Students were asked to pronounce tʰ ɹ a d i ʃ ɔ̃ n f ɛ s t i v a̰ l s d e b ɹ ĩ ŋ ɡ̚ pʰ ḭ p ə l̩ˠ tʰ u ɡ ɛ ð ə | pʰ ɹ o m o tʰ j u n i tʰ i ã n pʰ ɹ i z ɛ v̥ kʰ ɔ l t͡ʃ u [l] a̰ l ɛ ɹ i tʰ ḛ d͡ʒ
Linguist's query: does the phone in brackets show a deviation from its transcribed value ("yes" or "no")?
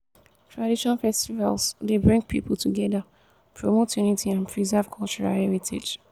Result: yes